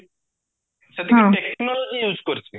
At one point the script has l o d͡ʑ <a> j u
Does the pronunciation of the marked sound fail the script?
yes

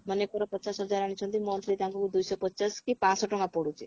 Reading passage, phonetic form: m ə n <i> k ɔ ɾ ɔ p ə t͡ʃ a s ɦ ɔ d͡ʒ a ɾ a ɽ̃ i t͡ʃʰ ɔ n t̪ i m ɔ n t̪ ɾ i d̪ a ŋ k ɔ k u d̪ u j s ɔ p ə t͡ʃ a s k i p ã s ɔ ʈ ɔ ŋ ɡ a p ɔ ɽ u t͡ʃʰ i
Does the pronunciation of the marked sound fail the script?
yes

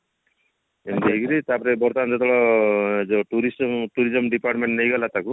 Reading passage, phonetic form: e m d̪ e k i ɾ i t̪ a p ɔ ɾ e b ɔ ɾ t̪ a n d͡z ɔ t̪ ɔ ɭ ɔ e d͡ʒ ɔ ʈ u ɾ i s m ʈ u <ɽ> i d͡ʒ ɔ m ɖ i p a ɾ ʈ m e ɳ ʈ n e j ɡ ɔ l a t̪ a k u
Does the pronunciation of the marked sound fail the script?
yes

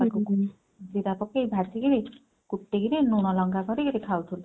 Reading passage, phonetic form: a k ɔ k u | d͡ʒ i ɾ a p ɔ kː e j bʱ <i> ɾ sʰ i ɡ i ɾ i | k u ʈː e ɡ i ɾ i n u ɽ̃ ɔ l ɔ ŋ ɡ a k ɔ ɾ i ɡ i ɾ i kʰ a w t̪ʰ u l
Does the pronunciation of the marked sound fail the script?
yes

